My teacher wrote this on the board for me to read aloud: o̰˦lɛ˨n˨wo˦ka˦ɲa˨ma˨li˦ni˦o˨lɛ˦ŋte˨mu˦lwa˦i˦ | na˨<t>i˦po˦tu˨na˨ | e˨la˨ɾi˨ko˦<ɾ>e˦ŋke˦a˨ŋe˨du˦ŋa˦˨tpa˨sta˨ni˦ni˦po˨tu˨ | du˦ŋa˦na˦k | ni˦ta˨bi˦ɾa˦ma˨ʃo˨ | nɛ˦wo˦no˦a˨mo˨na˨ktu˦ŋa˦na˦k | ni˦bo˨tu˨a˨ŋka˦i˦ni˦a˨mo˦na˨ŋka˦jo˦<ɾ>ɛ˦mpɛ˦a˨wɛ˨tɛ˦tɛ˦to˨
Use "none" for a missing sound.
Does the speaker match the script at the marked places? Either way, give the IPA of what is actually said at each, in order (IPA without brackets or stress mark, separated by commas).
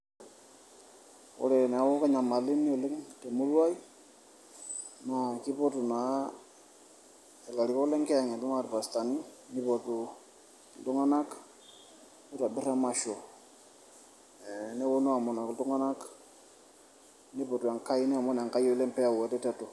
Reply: k, l, l